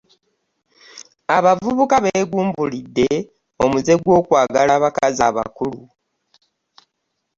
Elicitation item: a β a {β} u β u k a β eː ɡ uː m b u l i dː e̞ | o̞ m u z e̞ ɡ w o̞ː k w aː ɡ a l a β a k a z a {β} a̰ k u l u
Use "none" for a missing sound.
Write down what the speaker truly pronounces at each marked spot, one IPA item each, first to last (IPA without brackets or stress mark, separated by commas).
v, β